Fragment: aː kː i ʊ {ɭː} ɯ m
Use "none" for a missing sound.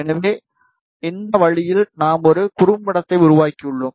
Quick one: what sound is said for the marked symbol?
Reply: ɭː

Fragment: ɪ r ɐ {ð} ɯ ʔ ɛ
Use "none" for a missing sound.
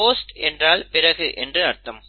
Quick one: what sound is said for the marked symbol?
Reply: ɣ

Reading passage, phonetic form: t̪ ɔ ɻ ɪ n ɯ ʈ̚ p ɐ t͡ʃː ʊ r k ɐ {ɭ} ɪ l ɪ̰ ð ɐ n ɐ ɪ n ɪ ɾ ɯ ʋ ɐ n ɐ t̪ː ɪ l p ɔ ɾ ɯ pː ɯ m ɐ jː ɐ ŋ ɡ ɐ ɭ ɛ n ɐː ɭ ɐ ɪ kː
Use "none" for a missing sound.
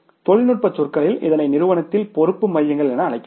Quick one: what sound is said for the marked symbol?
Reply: ɭ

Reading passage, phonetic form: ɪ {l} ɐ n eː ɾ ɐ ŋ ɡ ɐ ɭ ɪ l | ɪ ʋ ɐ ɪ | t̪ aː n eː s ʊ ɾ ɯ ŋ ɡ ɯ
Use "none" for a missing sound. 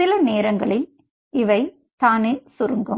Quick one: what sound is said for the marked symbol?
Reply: l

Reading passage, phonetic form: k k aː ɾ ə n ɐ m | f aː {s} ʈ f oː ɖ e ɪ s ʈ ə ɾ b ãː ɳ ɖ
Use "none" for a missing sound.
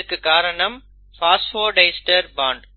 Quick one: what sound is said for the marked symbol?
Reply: s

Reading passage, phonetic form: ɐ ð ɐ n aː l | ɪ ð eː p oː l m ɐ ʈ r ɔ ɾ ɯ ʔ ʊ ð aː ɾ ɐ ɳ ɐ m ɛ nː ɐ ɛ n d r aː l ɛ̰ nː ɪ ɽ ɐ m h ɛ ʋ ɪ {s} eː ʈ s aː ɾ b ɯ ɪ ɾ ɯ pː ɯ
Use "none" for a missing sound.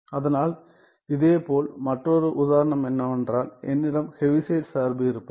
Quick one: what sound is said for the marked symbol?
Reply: s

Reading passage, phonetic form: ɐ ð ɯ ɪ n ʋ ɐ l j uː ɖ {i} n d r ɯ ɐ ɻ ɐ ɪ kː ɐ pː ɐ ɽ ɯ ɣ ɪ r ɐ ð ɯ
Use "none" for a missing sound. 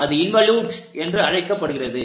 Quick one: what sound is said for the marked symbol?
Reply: ɛ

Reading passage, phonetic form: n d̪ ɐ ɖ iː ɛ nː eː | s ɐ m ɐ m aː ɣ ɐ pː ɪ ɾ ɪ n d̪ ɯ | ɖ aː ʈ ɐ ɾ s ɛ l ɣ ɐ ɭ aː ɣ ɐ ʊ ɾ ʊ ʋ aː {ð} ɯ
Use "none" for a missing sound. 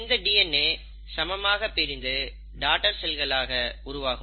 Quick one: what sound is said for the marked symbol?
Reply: ɣ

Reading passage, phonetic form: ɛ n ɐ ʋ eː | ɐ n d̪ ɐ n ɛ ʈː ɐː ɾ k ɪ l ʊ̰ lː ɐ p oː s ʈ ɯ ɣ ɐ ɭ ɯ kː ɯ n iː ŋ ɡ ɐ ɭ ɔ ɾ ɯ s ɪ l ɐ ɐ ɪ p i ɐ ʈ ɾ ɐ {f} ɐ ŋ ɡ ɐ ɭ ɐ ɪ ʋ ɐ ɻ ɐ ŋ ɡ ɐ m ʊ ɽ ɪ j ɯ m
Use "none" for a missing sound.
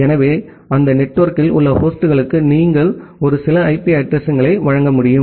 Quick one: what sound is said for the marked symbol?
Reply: s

